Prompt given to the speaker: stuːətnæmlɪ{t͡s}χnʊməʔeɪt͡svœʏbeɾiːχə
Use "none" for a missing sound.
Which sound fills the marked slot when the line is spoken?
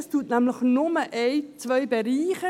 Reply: none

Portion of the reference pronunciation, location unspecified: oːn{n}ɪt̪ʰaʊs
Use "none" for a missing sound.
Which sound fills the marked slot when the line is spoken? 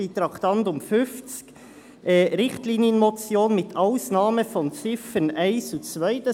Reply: m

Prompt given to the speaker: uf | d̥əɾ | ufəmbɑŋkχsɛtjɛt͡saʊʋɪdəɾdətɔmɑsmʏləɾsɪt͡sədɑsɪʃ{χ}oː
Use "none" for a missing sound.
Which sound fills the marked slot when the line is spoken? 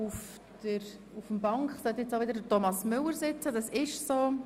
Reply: s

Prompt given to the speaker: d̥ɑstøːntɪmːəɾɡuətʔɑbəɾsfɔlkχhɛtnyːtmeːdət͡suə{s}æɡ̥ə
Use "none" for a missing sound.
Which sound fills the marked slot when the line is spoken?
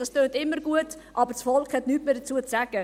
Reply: t͡s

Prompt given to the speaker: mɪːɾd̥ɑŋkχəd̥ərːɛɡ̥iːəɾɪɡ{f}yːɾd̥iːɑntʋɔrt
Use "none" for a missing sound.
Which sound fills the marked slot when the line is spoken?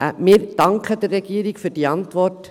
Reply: f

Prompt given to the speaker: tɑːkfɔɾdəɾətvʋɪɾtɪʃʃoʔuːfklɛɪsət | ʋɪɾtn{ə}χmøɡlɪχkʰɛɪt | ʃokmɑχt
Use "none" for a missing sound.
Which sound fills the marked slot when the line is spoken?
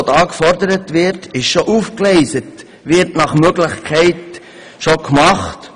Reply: ɑ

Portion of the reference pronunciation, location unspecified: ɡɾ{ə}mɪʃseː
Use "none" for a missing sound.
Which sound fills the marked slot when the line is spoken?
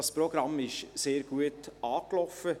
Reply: ɑ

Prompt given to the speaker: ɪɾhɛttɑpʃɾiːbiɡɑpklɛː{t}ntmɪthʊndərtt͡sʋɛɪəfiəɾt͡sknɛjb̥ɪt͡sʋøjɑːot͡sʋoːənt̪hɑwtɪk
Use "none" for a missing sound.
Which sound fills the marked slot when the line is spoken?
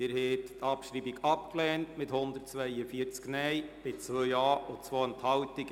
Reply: none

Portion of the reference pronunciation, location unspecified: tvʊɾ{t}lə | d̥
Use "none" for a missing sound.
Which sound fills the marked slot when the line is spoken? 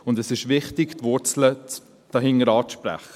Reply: t͡s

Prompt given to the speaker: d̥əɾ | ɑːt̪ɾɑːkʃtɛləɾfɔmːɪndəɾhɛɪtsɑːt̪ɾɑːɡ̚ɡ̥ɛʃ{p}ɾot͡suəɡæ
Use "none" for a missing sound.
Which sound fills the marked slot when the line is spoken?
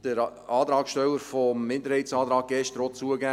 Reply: t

